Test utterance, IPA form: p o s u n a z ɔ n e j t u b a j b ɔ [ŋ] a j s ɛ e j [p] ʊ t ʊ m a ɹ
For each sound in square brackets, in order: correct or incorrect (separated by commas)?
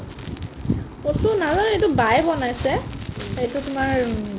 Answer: incorrect, incorrect